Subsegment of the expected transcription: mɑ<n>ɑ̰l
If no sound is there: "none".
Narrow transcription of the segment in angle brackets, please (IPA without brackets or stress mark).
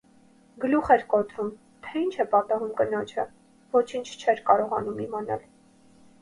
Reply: n